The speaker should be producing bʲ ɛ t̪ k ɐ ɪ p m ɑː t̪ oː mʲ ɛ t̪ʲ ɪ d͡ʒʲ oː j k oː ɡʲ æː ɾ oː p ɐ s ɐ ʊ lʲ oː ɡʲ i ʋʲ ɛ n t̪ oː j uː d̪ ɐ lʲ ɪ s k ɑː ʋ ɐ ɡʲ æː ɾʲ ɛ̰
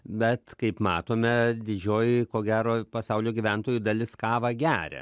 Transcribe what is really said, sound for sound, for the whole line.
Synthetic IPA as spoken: bʲ ɛ t̪ k ɐ ɪ p m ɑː t̪ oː mʲ ɛ d̪ʲ ɪ d͡ʒʲ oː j k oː ɡʲ æː ɾ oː p ɐ s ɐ ʊ lʲ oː ɡʲ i ʋʲ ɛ n t̪ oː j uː d̪ ɐ lʲ ɪ s k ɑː ʋ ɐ ɡʲ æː ɾʲ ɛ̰